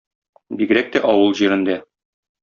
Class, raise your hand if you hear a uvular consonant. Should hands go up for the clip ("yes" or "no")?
no